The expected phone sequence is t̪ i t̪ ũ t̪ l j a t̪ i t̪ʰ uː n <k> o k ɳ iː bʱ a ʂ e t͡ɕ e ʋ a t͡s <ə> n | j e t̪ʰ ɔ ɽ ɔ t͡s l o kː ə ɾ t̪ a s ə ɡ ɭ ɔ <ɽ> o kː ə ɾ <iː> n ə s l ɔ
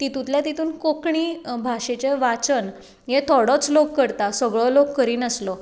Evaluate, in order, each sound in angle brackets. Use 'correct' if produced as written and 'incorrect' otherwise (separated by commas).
correct, correct, incorrect, correct